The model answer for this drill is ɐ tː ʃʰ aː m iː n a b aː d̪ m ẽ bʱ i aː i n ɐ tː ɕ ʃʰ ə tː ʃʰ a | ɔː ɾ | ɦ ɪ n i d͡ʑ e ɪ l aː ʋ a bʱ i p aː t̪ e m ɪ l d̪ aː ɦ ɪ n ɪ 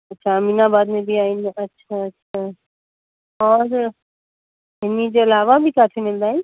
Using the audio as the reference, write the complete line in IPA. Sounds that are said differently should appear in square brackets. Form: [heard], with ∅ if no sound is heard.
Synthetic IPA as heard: ɐ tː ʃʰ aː m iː n a b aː d̪ m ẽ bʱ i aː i n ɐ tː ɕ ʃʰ [a] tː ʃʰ a | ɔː ɾ | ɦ ɪ n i d͡ʑ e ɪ l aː ʋ a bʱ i [k] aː [t̪ʰ] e m ɪ l d̪ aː ɦ ɪ n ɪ